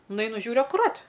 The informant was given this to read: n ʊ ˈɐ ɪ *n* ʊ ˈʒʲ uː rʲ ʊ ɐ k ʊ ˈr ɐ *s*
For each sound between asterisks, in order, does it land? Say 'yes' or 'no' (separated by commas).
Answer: yes, no